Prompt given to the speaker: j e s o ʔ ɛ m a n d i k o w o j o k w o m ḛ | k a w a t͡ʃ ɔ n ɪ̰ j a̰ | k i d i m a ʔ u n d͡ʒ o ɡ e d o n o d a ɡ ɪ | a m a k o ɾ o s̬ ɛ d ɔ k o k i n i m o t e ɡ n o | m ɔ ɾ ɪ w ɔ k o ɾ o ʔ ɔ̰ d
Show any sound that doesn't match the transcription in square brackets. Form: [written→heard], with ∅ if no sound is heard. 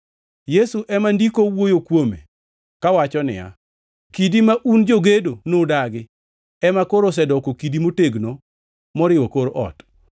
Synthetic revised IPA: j e s [o→u] ʔ ɛ m a n d i k o w o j o k w o m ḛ | k a w a t͡ʃ ɔ n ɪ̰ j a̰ | k i d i m a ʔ u n d͡ʒ o ɡ e d o n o d a ɡ ɪ | [a→ɛ] m a k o ɾ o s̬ ɛ d ɔ k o k i [n→d] i m o t e ɡ n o | m ɔ ɾ ɪ w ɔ k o ɾ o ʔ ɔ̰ [d→t]